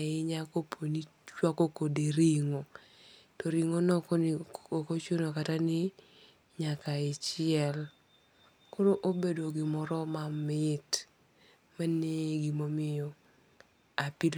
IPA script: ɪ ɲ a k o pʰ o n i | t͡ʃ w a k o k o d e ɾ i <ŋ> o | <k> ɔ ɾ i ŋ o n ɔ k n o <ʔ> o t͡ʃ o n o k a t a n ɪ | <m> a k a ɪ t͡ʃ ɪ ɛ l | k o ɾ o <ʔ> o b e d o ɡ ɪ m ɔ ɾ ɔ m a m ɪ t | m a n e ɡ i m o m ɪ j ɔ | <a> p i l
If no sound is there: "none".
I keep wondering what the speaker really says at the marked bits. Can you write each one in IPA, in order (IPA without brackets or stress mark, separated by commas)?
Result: ŋ, t, k, ɲ, ʔ, a